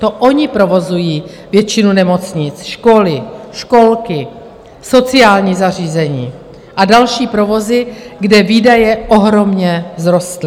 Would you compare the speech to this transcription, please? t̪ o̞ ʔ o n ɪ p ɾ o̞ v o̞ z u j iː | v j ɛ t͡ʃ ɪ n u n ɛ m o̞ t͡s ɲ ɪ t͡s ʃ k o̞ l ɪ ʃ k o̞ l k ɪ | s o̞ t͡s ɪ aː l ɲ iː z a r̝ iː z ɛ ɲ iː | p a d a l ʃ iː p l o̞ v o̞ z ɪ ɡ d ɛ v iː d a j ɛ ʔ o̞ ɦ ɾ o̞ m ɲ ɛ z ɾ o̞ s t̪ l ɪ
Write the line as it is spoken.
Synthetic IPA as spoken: t̪ o̞ ʔ o ɲ ɪ p ɾ o̞ v o̞ z u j iː | v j ɛ t͡ʃ ɪ n u n ɛ m o̞ t͡s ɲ ɪ t͡s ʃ k o̞ l ɪ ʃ k o̞ l k ɪ | s o̞ t͡s ɪ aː l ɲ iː z a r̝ iː z ɛ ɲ iː | ʔ a d a l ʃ iː p ɾ o̞ v o̞ z ɪ ɡ d ɛ v iː d a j ɛ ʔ o̞ ɦ ɾ o̞ m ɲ ɛ z ɾ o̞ s t̪ l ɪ